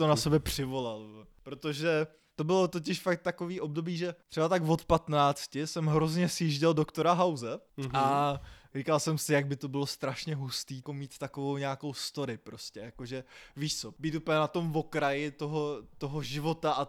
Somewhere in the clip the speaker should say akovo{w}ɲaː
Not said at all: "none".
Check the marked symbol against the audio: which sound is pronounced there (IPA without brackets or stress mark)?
w